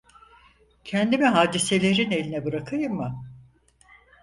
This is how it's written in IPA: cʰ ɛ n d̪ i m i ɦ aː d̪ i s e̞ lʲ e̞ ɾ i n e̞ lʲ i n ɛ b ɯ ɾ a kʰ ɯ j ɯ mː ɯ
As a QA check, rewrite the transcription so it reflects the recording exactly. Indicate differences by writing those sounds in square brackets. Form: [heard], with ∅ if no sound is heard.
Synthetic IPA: cʰ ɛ n d̪ i m i ɦ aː d̪ i s e̞ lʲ e̞ ɾ i n e̞ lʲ i n ɛ b ɯ ɾ a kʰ ɯ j ɯ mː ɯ